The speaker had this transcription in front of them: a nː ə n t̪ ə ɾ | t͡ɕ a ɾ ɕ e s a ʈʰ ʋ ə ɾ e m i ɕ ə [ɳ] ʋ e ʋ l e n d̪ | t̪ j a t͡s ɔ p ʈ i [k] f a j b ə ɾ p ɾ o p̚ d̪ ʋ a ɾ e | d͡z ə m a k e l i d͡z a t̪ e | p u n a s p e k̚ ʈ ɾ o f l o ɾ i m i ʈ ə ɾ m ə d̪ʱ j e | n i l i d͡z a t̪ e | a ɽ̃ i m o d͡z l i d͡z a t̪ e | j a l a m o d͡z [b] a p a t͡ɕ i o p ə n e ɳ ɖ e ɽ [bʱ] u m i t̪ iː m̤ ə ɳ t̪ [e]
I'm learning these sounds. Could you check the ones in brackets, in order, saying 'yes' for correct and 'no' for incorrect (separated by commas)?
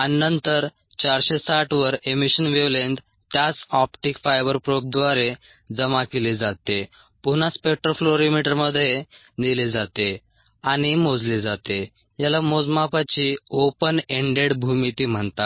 no, yes, no, yes, no